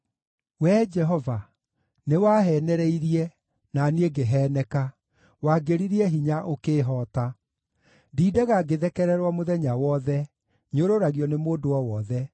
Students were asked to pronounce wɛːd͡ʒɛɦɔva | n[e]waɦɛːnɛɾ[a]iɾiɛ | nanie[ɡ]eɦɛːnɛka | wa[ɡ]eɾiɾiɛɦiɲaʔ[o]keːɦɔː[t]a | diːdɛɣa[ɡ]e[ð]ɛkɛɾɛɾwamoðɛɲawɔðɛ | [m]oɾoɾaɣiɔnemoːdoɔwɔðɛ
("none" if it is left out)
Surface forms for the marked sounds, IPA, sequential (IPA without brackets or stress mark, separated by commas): e, ɛ, ɡ, ɡ, o, t, ɡ, ð, ɲ